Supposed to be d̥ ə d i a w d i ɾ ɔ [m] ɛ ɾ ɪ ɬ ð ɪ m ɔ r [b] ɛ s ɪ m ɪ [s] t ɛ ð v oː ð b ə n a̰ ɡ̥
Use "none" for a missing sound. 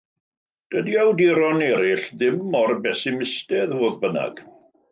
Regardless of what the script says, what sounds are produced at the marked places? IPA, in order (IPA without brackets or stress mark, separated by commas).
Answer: n, b, s